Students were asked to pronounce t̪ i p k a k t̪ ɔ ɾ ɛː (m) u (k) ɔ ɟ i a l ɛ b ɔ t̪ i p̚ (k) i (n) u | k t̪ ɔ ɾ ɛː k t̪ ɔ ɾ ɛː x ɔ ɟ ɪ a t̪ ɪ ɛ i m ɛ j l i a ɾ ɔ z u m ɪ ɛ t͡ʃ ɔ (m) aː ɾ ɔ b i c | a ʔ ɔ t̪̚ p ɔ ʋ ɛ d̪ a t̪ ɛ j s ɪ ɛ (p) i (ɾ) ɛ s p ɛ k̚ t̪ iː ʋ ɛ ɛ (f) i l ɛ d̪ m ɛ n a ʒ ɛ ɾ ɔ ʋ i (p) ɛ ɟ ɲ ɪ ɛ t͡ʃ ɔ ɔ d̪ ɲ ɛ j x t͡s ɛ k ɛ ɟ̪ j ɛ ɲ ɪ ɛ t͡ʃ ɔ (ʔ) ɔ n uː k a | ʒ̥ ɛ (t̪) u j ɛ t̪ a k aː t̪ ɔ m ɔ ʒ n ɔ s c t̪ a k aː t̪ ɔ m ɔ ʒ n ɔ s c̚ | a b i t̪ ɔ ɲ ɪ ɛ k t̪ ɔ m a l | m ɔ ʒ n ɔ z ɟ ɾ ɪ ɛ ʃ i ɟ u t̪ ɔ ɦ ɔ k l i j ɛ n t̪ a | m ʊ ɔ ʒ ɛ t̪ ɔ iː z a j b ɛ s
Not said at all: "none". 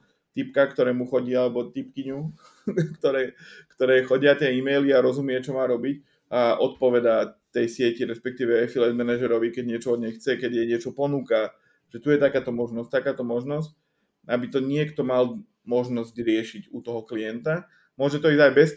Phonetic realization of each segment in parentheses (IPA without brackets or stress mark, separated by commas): m, x, k, ɲ, m, c, ɾ, f, k, p, t̪